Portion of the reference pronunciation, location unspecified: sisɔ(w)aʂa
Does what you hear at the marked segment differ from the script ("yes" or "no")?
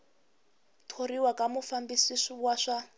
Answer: no